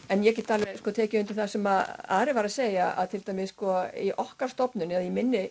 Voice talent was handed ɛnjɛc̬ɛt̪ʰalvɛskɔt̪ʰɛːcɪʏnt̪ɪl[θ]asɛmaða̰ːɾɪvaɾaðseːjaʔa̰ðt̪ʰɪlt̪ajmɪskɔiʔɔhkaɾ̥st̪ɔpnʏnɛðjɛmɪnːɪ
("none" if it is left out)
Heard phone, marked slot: θ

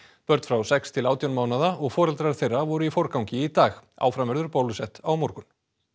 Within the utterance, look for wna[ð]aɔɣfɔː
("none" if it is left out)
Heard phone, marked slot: ð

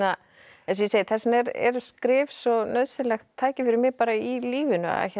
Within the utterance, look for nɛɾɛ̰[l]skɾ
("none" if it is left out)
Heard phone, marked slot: ɾ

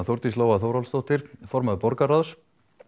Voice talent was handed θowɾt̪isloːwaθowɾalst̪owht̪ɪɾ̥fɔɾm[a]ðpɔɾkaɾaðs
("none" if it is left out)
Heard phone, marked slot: a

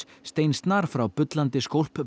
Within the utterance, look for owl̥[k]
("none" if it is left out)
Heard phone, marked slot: p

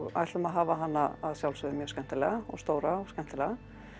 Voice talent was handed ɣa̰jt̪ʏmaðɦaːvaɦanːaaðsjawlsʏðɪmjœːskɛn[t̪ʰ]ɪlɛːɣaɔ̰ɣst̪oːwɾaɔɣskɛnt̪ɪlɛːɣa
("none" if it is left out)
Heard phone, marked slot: t̪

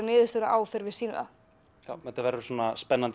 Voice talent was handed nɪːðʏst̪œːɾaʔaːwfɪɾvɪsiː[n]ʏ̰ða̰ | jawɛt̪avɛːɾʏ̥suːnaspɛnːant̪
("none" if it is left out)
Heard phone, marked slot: n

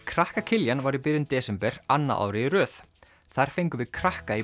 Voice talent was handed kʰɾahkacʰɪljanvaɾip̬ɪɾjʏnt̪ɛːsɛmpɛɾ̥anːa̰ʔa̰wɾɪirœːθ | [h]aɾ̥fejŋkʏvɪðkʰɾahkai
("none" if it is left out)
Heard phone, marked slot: θ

